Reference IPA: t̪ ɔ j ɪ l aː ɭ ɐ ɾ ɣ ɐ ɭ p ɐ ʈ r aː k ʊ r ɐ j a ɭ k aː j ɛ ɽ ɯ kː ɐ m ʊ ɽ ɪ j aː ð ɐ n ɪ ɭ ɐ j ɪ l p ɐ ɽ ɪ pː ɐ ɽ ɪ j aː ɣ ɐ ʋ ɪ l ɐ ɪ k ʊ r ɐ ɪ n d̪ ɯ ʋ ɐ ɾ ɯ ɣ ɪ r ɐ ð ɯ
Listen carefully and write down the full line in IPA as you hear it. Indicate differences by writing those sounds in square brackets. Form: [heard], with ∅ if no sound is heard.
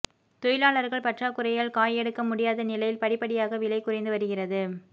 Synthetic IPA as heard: t̪ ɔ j ɪ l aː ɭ ɐ ɾ ɣ ɐ ɭ p ɐ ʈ r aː k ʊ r ɐ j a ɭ k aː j ɛ ɽ ɯ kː ɐ m ʊ ɽ ɪ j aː ð ɐ n ɪ [l] ɐ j ɪ l p ɐ ɽ ɪ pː ɐ ɽ ɪ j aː ɣ ɐ ʋ ɪ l ɐ ɪ k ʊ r ɐ ɪ n d̪ ɯ ʋ ɐ ɾ ɯ ɣ ɪ r ɐ ð ɯ